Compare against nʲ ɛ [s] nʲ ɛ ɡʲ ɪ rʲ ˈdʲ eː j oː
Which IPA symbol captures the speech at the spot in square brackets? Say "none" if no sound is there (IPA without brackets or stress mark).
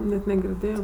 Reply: t